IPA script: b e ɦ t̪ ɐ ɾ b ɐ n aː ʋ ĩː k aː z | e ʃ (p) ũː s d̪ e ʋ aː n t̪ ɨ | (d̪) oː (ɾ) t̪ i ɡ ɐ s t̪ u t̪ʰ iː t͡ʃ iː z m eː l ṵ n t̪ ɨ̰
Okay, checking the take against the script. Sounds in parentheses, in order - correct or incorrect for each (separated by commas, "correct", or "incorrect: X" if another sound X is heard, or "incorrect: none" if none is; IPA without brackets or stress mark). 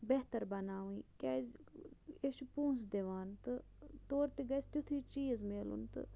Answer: correct, incorrect: t̪, correct